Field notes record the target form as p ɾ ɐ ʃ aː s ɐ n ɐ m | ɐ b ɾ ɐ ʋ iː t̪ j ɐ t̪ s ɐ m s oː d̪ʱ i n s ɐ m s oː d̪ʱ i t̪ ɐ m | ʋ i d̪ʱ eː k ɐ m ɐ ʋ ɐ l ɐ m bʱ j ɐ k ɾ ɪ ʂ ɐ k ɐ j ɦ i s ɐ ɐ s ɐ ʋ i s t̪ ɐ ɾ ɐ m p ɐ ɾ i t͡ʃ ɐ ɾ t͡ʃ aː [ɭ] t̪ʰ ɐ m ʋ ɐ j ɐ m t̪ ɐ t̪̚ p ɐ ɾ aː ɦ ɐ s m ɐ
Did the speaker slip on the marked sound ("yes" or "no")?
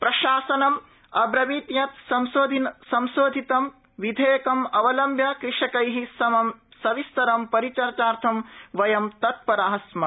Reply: yes